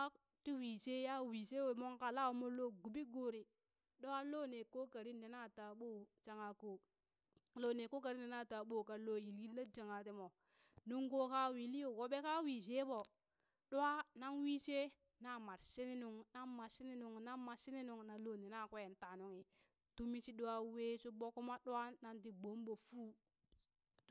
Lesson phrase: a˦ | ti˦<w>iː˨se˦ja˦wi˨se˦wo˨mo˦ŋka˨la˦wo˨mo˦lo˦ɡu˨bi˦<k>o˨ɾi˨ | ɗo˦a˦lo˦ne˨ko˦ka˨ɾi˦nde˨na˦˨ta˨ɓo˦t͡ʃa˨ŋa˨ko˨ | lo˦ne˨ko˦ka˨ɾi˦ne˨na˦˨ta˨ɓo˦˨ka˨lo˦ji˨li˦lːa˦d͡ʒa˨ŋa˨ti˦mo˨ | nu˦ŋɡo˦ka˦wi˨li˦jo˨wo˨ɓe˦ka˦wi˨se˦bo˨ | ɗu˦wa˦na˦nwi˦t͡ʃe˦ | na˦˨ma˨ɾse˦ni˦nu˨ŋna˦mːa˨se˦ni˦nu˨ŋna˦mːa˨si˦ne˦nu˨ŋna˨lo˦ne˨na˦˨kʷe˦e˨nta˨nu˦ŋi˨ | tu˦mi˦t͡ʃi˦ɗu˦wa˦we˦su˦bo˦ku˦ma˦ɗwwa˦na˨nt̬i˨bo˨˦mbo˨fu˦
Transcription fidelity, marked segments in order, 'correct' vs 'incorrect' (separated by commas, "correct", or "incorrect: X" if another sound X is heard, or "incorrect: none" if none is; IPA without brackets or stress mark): correct, incorrect: ɡ